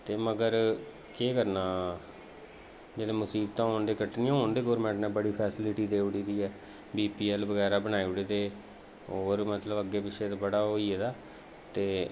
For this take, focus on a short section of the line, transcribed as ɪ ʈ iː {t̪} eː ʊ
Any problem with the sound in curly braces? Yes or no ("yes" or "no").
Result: yes